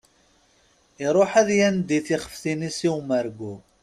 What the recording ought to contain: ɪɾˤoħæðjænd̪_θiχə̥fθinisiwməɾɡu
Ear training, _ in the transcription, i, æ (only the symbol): i